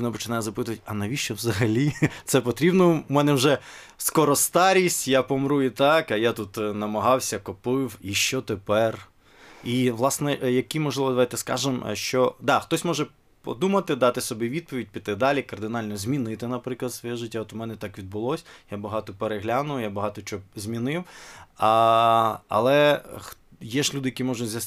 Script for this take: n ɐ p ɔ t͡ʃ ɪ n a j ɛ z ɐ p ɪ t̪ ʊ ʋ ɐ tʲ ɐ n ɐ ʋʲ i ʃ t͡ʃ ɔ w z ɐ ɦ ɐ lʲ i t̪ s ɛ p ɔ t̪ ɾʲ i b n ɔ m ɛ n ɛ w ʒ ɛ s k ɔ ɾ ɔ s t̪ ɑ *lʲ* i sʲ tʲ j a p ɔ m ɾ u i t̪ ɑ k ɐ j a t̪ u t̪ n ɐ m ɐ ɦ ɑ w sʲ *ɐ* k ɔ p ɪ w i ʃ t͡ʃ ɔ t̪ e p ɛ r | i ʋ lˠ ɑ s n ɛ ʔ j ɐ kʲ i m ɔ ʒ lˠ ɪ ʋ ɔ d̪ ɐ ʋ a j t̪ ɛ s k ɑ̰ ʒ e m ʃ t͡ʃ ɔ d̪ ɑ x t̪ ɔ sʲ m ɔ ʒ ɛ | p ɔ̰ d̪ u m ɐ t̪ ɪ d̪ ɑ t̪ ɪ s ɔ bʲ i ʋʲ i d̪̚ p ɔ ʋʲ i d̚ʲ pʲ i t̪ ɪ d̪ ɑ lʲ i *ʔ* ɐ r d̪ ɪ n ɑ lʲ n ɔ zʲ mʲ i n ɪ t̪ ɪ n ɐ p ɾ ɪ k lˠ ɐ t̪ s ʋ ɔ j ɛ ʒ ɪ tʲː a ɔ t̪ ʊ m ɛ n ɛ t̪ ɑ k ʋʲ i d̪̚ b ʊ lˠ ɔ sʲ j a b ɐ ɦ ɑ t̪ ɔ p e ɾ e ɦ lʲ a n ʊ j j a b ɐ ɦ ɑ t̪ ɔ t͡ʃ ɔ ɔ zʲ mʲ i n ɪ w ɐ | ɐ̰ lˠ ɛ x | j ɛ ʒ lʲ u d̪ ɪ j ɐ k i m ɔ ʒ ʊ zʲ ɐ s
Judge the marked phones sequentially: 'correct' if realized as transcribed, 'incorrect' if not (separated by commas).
incorrect, correct, incorrect